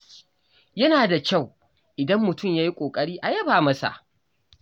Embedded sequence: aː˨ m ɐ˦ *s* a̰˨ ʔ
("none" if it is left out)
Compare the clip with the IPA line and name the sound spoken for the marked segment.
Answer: s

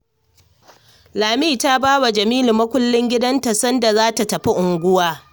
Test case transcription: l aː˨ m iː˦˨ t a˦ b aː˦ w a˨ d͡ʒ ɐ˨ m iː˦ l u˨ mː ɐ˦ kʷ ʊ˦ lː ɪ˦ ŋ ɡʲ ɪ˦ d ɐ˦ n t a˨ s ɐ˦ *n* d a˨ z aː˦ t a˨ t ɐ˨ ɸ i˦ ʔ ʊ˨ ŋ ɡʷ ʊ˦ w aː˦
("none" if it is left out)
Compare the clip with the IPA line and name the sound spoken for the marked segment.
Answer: n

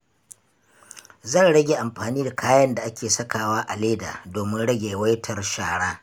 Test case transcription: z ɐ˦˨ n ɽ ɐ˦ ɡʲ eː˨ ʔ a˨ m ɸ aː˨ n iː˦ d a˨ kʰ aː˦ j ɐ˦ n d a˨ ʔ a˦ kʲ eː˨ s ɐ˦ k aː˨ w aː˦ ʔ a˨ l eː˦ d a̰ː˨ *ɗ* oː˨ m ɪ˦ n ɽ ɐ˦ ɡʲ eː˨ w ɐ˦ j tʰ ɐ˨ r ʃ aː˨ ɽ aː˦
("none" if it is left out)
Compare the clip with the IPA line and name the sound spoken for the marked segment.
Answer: d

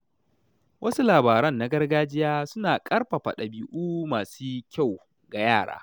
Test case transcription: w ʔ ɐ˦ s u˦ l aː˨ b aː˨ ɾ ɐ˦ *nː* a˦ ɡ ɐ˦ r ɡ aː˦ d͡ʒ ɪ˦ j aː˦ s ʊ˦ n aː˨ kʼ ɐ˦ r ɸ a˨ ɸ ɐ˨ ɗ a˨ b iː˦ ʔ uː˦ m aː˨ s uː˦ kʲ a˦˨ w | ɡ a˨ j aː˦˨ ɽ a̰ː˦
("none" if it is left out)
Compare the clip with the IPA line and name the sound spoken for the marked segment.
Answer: nː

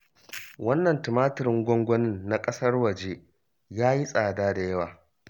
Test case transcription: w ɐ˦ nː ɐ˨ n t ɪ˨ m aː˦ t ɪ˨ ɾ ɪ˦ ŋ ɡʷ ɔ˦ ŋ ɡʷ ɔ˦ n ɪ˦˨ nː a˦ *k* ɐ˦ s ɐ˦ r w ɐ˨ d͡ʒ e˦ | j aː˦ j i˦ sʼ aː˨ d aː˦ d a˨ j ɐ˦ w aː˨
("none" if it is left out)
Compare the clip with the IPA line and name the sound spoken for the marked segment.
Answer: kʼ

